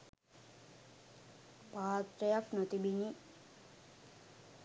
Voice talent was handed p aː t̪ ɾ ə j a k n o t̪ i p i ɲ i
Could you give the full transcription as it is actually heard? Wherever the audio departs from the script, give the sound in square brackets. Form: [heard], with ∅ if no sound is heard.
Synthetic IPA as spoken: p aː t̪ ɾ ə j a k n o t̪ i [b] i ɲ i